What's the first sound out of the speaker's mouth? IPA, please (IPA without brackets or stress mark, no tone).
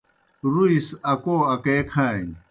ɾ